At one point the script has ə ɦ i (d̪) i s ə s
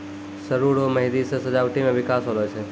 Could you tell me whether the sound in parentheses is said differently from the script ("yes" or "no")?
no